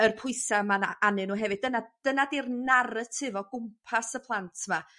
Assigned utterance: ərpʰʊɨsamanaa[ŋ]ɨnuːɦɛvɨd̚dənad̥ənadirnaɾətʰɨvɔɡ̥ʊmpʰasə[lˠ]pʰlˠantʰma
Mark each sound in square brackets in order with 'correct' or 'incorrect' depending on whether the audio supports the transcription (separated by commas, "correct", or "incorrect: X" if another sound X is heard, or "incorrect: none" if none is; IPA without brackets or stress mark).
incorrect: n, incorrect: none